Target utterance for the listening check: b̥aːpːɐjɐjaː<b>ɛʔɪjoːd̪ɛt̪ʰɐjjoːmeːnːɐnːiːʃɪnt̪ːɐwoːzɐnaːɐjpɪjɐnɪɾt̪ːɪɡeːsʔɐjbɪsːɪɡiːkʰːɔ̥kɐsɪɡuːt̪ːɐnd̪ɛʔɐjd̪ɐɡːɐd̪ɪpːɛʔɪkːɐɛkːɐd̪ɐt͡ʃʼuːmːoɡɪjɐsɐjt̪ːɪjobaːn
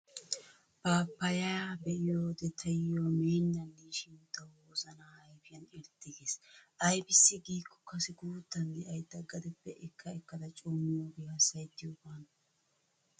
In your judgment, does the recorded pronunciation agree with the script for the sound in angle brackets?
yes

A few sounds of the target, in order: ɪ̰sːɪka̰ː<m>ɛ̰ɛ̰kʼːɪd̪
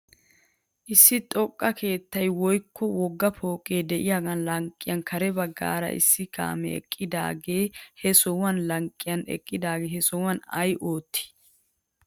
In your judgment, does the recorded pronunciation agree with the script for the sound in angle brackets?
yes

